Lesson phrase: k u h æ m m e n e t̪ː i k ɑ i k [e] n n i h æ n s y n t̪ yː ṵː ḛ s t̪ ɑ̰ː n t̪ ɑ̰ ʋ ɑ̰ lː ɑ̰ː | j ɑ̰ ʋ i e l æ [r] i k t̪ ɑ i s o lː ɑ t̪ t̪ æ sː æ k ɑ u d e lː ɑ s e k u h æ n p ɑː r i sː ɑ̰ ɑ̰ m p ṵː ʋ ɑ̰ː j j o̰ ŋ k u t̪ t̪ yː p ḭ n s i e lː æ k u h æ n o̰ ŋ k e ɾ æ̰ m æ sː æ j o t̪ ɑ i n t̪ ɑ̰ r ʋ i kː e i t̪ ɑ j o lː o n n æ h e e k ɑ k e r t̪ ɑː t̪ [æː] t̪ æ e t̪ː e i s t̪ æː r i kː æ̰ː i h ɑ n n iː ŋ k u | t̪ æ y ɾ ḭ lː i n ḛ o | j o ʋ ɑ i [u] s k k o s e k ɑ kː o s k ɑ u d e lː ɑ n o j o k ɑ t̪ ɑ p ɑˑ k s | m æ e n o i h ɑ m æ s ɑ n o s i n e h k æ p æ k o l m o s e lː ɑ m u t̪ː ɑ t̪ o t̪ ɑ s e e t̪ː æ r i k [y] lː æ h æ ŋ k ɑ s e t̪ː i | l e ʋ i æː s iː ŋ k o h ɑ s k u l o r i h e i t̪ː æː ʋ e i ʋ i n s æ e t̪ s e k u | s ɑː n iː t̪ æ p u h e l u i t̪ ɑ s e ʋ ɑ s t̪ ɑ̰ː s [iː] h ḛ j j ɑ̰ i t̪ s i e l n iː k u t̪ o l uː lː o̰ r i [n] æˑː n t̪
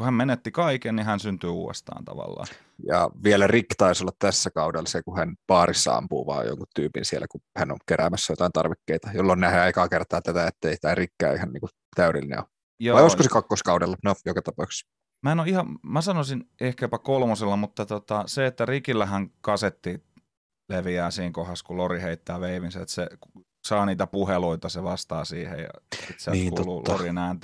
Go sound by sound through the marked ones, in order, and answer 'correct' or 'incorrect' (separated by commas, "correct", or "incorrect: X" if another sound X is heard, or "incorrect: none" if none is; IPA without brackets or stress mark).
correct, correct, incorrect: æ, incorrect: o, incorrect: i, correct, correct